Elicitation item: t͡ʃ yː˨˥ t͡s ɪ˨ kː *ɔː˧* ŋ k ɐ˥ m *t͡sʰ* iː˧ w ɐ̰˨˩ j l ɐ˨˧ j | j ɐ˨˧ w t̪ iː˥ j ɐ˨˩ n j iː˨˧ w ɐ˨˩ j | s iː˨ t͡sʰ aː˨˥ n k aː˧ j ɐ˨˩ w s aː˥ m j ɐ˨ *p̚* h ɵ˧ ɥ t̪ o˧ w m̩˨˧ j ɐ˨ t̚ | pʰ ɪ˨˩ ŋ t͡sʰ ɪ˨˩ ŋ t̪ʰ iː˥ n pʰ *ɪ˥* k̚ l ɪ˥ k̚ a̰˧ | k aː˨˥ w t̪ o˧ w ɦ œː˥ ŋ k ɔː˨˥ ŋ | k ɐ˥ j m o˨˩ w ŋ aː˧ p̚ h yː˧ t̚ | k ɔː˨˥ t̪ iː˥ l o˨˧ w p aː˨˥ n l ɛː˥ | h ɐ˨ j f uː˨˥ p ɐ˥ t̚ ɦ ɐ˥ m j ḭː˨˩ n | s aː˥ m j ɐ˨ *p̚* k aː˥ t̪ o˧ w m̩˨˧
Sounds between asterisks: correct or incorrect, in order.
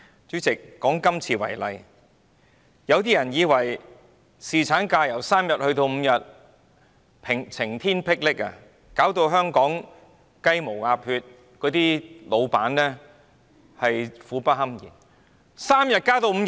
incorrect, correct, incorrect, correct, incorrect

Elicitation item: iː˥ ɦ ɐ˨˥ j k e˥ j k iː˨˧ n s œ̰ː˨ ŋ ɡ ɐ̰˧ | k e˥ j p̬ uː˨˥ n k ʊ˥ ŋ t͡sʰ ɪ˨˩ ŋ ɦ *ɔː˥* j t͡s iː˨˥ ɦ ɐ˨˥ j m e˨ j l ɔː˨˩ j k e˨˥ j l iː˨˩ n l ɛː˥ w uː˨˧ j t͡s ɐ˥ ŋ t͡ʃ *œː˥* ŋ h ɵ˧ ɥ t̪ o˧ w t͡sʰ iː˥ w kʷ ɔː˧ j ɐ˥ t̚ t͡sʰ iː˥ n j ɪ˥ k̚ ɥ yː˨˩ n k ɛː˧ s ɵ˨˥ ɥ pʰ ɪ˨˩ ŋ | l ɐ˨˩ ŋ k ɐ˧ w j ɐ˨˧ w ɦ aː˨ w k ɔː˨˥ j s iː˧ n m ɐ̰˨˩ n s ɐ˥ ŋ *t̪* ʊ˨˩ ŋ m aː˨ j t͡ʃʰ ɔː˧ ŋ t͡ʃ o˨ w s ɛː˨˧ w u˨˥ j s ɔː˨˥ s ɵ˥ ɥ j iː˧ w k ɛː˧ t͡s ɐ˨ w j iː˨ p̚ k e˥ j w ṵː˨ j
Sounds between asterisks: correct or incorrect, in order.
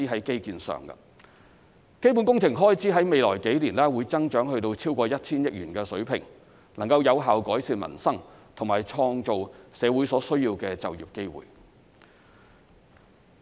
correct, incorrect, incorrect

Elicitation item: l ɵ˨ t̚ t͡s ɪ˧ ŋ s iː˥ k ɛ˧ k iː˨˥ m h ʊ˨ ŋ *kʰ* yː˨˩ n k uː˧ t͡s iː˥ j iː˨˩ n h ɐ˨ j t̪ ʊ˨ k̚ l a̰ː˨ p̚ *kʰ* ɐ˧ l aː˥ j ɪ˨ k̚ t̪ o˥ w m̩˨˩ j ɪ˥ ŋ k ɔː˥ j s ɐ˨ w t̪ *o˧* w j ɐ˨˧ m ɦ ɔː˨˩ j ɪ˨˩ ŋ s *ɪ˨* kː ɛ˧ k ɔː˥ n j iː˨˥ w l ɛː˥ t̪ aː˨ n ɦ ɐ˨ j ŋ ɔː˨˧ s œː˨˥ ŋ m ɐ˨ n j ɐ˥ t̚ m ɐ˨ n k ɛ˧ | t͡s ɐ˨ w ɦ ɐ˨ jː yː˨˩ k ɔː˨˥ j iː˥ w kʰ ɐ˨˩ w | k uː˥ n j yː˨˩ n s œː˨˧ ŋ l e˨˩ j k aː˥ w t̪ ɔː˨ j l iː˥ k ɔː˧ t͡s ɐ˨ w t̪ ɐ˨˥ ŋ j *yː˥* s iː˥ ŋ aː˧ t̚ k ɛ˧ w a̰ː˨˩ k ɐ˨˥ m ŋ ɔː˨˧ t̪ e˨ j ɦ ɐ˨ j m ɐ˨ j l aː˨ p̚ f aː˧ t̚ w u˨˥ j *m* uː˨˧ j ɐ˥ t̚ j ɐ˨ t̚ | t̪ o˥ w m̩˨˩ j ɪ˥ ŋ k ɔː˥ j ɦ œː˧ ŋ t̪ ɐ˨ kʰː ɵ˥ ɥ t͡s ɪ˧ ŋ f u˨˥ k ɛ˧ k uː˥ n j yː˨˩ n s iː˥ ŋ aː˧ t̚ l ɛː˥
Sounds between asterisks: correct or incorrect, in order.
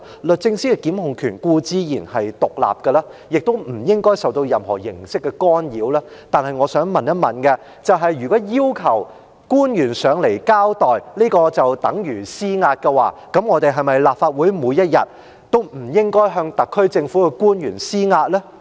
correct, incorrect, correct, incorrect, incorrect, correct

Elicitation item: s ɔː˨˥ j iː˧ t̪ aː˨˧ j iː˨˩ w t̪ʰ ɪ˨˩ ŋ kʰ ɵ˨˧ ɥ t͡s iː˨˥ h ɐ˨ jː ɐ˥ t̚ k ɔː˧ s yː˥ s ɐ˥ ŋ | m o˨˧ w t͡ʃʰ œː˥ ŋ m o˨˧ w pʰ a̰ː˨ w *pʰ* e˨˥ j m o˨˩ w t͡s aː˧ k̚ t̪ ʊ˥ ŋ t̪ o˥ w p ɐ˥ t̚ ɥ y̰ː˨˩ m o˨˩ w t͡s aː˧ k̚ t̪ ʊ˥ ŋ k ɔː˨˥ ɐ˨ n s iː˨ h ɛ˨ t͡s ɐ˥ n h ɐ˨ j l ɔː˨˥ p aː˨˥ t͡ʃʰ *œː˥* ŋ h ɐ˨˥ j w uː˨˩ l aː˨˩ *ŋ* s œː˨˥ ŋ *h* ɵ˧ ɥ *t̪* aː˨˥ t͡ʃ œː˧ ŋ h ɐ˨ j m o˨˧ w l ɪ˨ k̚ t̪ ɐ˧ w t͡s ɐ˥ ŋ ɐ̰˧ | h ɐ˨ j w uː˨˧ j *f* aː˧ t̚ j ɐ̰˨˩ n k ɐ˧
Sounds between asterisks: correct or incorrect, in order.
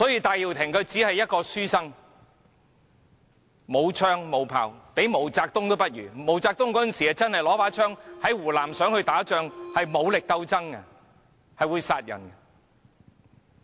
incorrect, correct, incorrect, correct, correct, incorrect

